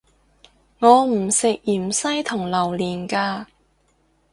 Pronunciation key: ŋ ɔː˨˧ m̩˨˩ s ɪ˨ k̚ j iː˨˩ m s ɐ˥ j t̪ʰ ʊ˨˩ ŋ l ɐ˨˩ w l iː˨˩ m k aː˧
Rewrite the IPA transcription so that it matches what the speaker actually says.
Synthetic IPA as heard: ŋ ɔː˨˧ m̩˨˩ s ɪ˨ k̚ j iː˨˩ m s ɐ˥ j t̪ʰ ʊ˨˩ ŋ l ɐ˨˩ w l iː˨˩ n k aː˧